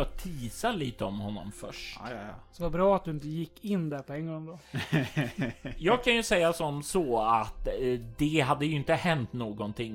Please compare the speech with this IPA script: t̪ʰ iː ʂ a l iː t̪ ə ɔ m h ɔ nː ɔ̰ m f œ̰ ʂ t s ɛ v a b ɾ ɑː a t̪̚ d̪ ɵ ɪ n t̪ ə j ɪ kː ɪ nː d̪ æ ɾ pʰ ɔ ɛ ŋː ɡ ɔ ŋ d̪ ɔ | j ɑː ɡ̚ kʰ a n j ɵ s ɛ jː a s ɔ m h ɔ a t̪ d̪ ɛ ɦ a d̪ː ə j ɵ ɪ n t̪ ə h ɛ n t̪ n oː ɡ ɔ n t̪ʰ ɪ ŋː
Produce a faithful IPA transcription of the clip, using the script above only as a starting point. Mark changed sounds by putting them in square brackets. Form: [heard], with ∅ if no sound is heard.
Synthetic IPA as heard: t̪ʰ iː [s] a l iː t̪ ə ɔ m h ɔ nː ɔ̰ m f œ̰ ʂ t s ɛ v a b ɾ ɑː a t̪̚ d̪ ɵ ɪ n t̪ ə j ɪ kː ɪ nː d̪ æ ɾ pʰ ɔ ɛ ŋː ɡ ɔ ŋ d̪ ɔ | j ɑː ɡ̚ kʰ a n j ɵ s ɛ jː a s ɔ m [s] ɔ a t̪ d̪ ɛ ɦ a d̪ː ə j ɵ ɪ n t̪ ə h ɛ n t̪ n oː ɡ ɔ n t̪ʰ ɪ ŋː